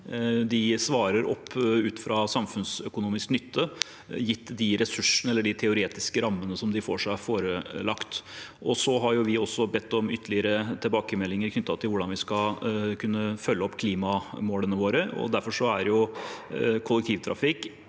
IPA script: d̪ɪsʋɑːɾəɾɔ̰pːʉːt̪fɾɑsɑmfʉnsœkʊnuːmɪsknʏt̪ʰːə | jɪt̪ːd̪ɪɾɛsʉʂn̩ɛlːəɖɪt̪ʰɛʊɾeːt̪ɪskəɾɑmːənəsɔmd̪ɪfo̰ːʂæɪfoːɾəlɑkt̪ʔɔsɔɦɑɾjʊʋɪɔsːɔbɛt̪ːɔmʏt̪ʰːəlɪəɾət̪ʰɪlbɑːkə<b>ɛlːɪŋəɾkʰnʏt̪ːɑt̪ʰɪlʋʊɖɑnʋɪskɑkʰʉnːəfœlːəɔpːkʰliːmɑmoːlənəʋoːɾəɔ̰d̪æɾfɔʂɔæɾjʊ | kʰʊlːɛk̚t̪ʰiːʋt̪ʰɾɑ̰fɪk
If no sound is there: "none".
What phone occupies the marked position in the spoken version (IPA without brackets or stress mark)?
m